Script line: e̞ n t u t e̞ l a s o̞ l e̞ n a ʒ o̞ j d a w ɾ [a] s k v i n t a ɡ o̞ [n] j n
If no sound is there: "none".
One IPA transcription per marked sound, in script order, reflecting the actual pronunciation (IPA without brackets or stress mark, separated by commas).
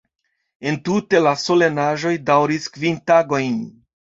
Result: i, none